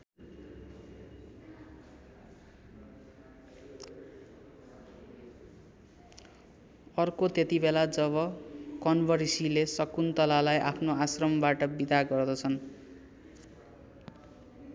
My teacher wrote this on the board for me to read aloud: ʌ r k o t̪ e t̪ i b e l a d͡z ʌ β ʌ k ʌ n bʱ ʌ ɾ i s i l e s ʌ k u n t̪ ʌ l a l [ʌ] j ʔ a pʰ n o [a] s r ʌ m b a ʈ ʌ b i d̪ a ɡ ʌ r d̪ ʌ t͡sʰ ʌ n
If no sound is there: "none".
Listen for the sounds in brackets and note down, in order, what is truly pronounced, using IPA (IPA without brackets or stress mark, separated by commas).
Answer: a, a